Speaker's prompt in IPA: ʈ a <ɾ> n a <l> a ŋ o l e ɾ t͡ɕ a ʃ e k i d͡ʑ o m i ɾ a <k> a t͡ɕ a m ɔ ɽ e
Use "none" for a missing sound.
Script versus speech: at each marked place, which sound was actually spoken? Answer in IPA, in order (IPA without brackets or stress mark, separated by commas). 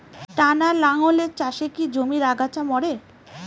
none, l, ɡ